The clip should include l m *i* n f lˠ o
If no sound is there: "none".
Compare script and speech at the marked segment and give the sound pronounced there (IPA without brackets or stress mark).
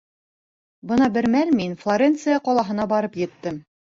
i